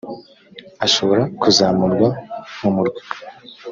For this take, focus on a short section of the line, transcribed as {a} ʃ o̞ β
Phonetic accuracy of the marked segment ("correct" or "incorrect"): correct